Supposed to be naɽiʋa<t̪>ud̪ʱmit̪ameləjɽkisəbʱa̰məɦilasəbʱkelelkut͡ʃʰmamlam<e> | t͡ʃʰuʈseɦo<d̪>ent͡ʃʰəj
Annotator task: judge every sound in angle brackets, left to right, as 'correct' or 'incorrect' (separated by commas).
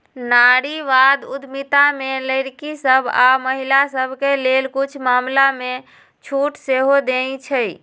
incorrect, correct, correct